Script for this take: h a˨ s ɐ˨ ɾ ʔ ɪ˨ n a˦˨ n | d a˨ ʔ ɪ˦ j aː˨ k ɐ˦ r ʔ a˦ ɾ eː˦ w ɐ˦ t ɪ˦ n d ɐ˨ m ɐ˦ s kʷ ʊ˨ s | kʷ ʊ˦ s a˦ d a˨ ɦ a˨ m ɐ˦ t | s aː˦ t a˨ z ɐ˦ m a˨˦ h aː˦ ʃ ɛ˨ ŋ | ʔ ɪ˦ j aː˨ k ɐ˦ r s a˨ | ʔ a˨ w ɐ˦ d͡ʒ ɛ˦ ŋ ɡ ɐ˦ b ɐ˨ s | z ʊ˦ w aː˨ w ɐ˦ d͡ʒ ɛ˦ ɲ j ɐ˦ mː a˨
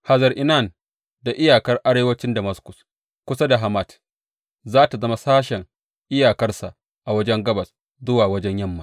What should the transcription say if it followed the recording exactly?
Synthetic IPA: h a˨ z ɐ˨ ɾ ʔ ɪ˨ n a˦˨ n | d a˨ ʔ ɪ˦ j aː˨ k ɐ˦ r ʔ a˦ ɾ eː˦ w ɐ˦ t͡ʃ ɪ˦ n d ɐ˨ m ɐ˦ s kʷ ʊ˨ s | kʷ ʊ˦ s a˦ d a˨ ɦ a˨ m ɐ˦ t | z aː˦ t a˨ z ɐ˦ m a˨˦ s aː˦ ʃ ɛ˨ ŋ | ʔ ɪ˦ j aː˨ k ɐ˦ r s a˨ | ʔ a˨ w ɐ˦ d͡ʒ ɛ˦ ŋ ɡ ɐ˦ b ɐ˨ s | z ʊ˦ w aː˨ w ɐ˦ d͡ʒ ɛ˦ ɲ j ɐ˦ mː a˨